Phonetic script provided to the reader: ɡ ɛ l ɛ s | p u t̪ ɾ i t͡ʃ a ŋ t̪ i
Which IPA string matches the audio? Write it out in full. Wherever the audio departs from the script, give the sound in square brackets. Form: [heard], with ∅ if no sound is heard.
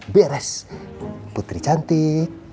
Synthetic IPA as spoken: [b] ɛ [ɾ] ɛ s | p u t̪ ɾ i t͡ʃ a [n] t̪ i

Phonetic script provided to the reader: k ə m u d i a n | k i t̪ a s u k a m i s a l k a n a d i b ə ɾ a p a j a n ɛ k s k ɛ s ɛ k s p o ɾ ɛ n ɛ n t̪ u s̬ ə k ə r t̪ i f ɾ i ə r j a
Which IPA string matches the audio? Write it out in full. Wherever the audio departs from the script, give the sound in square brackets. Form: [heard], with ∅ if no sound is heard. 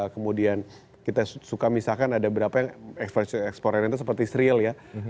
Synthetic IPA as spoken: k ə m u d i a n | k i t̪ a s u k a m i s a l k a n a d [a] b ə ɾ a p a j a [ŋ] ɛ k s [p] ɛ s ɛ k s p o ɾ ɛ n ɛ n t̪ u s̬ ə [p] ə r t̪ i [s] ɾ i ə [l] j a

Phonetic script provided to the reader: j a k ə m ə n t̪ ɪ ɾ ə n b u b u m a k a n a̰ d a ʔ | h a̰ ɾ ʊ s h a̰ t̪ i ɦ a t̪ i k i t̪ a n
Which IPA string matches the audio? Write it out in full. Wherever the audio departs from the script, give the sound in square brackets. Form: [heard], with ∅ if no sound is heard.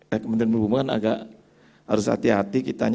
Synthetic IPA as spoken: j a k ə m ə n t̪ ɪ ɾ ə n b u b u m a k a n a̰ [ɡ] a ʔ | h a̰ ɾ ʊ s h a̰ t̪ i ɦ a t̪ i k i t̪ a [ɲ]

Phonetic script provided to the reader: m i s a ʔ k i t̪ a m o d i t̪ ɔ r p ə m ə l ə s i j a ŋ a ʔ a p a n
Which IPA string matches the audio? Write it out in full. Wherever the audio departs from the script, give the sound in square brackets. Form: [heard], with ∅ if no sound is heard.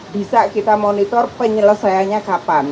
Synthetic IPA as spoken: [b] i s a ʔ k i t̪ a m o [n] i t̪ ɔ r p ə [ɲ] ə l ə s [a] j a [ɲ] a [k] a p a n

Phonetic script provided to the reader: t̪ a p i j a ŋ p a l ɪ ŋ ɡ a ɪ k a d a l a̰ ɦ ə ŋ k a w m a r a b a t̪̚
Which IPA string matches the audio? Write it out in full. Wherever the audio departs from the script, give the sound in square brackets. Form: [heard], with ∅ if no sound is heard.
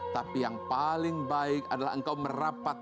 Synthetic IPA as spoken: t̪ a p i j a ŋ p a l ɪ ŋ [b] a ɪ k a d a l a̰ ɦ ə ŋ k a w m [ə] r a [p] a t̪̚

